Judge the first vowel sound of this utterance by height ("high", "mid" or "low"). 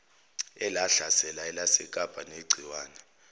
mid